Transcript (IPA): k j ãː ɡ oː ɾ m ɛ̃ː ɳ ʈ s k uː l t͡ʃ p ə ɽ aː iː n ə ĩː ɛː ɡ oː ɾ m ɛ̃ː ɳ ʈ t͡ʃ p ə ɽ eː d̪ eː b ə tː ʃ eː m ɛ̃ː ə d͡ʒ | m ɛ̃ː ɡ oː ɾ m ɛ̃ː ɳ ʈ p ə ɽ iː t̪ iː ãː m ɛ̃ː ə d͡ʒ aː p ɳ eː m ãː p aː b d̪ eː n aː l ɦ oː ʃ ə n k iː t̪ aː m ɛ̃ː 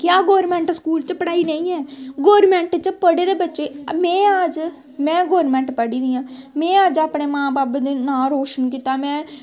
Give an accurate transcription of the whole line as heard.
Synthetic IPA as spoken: k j aː ɡ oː ɾ m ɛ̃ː ɳ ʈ s k uː l t͡ʃ p ə ɽ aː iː n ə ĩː ɛː ɡ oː ɾ m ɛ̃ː ɳ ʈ t͡ʃ p ə ɽ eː d̪ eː b ə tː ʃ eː m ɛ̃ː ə d͡ʒ | m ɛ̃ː ɡ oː ɾ m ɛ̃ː ɳ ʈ p ə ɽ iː d̪ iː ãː m ɛ̃ː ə d͡ʒ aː p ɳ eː m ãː b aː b d̪ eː n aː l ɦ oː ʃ ə n k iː t̪ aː m ɛ̃ː